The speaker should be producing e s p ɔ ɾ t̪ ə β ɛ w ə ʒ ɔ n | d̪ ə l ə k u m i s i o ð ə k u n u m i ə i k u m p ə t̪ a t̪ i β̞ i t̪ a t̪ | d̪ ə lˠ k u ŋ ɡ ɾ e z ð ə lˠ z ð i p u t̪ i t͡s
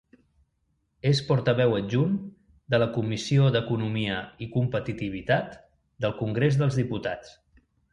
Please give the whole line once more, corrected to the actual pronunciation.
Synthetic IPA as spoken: e s p ɔ ɾ t̪ ə β ɛ w ə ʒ u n | d̪ ə l ə k u m i s i o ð ə k u n u m i ə i k u m p ə t̪ i t̪ i β̞ i t̪ a t̪ | d̪ ə lˠ k u ŋ ɡ ɾ e z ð ə lˠ z ð i p u t̪ a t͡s